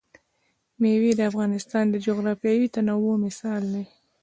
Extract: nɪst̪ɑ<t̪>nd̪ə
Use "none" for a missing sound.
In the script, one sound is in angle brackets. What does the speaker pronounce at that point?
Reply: none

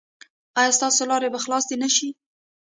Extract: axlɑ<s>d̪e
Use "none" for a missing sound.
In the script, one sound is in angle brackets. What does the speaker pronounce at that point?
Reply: s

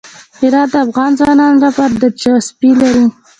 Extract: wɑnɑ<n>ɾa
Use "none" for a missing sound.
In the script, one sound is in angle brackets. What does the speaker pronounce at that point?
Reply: n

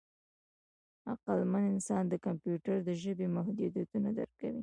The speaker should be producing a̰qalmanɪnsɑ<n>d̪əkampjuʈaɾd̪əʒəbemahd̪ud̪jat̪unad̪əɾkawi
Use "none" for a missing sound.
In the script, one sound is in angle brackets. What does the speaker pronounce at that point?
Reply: n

